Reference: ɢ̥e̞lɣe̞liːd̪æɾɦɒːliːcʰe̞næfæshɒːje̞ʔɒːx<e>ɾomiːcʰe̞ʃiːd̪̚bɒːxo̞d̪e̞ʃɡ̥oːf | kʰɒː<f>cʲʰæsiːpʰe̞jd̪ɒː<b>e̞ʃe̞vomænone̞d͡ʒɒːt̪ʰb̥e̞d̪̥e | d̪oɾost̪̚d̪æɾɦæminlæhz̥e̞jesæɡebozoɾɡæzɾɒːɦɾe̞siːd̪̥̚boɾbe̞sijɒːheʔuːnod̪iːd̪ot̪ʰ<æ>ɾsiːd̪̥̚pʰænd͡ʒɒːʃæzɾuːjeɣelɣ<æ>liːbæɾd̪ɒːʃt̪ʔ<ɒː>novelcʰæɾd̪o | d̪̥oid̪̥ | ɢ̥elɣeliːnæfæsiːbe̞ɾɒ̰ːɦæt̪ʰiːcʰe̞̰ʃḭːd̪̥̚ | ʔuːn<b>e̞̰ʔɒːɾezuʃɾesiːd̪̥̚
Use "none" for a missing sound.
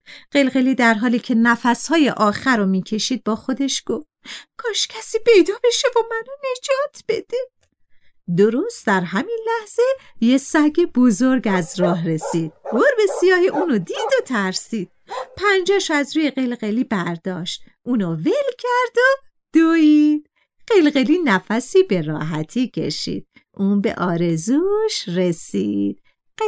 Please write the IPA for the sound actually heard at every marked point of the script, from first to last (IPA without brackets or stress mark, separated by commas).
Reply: æ, ʃ, b, æ, e, uː, b